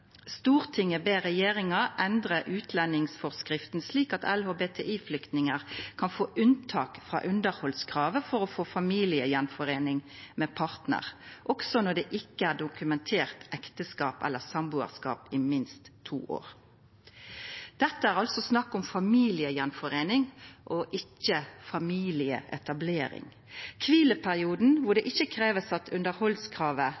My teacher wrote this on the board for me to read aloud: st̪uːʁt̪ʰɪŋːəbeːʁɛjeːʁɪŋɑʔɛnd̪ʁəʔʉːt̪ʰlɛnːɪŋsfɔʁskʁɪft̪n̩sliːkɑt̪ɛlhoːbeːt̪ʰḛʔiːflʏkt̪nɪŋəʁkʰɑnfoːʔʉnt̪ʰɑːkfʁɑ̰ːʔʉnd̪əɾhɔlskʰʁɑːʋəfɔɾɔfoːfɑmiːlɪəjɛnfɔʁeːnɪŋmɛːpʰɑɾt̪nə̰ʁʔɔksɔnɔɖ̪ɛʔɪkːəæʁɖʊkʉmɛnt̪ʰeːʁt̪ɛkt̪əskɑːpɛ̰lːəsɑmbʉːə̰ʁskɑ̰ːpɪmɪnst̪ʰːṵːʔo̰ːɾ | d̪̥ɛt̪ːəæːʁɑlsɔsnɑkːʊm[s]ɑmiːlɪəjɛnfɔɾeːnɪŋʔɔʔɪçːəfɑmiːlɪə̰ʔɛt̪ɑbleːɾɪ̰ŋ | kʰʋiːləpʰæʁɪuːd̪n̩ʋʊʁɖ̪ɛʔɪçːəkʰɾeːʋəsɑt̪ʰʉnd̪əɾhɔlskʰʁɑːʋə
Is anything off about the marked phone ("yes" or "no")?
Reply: yes